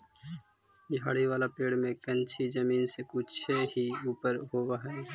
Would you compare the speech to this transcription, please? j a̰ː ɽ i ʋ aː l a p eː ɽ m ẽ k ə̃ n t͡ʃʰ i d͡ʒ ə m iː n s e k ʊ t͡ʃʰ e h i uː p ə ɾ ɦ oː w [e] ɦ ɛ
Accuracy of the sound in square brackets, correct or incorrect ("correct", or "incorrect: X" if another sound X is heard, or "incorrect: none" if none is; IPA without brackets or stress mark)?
incorrect: a